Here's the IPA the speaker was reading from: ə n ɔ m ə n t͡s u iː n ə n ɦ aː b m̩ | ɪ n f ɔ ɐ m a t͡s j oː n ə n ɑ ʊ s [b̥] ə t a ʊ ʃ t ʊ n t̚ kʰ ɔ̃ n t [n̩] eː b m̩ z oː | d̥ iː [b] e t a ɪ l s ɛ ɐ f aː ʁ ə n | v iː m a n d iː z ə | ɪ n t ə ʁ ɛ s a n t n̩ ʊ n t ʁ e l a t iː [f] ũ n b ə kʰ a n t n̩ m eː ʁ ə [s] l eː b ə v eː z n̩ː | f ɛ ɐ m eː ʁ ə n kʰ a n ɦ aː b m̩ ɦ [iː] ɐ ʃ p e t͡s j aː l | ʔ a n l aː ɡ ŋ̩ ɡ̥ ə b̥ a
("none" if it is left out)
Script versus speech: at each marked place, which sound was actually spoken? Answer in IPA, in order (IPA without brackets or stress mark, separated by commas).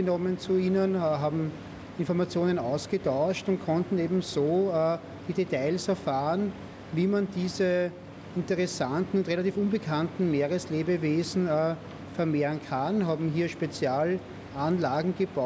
ɡ̥, n̩, d, f, s, iː